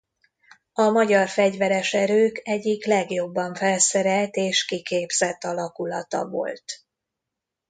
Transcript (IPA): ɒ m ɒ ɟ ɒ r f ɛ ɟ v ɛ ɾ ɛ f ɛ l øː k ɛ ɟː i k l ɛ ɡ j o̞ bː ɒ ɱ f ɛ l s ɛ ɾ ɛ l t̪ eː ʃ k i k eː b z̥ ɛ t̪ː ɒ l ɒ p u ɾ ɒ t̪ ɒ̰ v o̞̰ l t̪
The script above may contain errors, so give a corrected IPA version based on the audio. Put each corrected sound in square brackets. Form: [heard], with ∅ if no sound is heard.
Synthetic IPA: ɒ m ɒ ɟ ɒ r f ɛ ɟ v ɛ ɾ ɛ [ʃ] ɛ [ɾ] øː k ɛ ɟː i k l ɛ ɡ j o̞ bː ɒ ɱ f ɛ l s ɛ ɾ ɛ l t̪ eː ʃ k i k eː b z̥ ɛ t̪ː ɒ l ɒ [k] u [l] ɒ t̪ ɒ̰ v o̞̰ l t̪

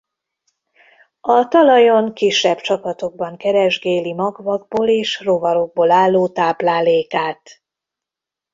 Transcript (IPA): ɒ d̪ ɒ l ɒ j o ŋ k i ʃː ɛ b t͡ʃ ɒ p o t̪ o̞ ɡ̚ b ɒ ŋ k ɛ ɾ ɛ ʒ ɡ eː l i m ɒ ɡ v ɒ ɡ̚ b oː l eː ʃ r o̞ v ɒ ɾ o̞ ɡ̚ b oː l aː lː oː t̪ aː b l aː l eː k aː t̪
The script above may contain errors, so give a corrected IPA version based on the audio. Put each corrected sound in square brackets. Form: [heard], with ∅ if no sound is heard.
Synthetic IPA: ɒ [t̪] ɒ l ɒ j o ŋ k i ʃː ɛ b t͡ʃ ɒ p [ɒ] t̪ o̞ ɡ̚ b ɒ ŋ k ɛ ɾ ɛ ʒ ɡ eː l i m ɒ ɡ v ɒ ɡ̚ b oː l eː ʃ r o̞ v ɒ ɾ o̞ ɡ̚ b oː l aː lː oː t̪ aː b l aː l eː k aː t̪

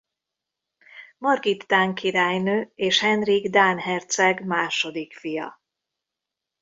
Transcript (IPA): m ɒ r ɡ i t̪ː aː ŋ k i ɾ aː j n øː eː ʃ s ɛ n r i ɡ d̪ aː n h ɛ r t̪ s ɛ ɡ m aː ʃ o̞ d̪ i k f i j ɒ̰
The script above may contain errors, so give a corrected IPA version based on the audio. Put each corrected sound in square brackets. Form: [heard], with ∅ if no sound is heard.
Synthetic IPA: m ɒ r ɡ i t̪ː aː ŋ k i ɾ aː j n øː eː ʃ [h] ɛ n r i ɡ d̪ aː n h ɛ r t̪ s ɛ ɡ m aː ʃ o̞ d̪ i k f i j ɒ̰

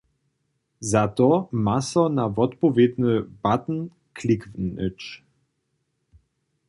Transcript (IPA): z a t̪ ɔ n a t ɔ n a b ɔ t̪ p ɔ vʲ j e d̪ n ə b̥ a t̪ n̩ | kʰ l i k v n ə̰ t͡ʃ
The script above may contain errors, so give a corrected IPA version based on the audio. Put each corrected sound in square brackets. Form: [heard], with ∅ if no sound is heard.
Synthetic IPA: z a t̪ ɔ [m] a [s] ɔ n a [v] ɔ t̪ p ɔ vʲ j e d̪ n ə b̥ a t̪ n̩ | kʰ l i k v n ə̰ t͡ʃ

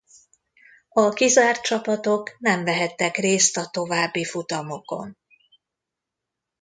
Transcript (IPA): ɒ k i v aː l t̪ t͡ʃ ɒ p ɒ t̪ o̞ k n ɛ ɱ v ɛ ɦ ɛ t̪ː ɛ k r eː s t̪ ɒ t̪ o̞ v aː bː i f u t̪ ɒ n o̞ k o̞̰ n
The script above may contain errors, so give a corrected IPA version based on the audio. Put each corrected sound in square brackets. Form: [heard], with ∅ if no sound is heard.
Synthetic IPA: ɒ k i [z] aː [r] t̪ t͡ʃ ɒ p ɒ t̪ o̞ k n ɛ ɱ v ɛ ɦ ɛ t̪ː ɛ k r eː s t̪ ɒ t̪ o̞ v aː bː i f u t̪ ɒ [m] o̞ k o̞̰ n

